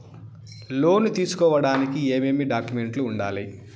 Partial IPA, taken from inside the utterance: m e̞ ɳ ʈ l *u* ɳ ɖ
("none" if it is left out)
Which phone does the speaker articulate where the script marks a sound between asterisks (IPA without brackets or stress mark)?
uː